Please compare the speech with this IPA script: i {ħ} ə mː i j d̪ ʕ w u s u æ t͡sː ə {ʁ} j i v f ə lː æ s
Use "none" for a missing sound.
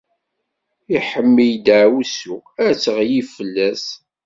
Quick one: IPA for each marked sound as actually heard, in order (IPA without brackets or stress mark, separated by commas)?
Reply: ħ, ʁ